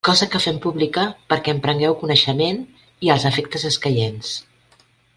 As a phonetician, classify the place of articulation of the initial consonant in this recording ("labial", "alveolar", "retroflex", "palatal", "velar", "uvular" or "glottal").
velar